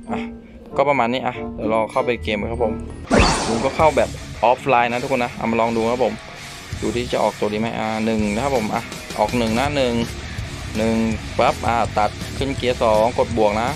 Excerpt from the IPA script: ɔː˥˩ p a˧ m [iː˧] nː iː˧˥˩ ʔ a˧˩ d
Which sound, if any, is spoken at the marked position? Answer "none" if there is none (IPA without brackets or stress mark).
aː˧